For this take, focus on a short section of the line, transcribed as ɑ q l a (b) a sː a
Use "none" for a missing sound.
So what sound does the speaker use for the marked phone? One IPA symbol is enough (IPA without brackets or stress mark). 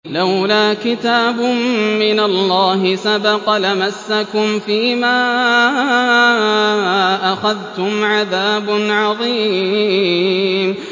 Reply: m